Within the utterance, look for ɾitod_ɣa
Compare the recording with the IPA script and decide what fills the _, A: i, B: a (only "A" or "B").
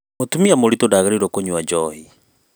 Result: B